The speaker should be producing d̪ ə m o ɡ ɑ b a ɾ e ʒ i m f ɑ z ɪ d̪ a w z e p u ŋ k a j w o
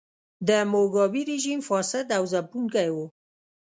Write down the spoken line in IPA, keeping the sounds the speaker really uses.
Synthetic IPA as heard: d̪ ə m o ɡ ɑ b i ɾ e ʒ i m f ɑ s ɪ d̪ a w z a p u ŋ k a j w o